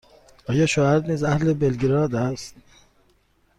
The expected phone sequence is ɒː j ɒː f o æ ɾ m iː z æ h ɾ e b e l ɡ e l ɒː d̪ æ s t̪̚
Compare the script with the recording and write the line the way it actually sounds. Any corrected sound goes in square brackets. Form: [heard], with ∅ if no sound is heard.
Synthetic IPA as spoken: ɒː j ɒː [ʃ] o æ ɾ [n] iː z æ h [l] e b e l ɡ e [ɾ] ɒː d̪ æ s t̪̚